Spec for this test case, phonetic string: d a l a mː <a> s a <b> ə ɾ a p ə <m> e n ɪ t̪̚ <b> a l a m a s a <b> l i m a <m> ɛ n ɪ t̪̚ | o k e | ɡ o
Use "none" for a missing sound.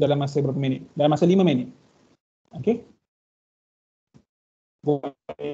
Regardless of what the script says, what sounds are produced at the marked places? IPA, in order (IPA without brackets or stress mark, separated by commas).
a, b, m, d, none, m